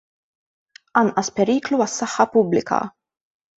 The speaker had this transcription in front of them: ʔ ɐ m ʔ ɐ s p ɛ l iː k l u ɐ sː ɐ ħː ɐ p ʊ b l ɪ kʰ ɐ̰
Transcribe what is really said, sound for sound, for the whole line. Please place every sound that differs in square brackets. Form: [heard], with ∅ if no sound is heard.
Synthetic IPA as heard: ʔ ɐ [n] ʔ ɐ s p ɛ [ɾ] iː k l u ɐ sː ɐ ħː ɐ p ʊ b l ɪ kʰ ɐ̰